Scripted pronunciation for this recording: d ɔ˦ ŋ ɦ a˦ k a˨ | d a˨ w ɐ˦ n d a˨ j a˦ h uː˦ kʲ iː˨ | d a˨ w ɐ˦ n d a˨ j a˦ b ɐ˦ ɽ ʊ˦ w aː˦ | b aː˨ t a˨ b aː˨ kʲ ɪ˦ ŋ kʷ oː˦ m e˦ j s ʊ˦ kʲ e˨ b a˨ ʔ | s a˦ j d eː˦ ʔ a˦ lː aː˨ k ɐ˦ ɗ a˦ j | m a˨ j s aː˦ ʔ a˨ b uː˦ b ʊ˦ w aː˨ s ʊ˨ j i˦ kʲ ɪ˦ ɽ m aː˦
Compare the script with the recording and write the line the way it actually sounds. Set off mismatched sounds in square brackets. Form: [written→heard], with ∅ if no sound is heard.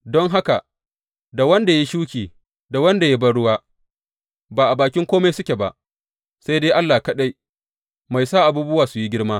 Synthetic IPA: d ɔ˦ ŋ ɦ a˦ k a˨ | d a˨ w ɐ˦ n d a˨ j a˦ [h→ʃ] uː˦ kʲ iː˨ | d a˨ w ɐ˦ n d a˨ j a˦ b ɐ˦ ɽ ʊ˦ w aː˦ | b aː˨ [t→ʔ] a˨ b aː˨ kʲ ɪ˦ ŋ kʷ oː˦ m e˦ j s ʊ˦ kʲ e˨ b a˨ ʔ | s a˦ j d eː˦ ʔ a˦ lː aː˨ k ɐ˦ ɗ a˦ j | m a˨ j s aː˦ ʔ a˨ b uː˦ b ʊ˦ w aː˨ s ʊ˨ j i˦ [kʲ→ɡʲ] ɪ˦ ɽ m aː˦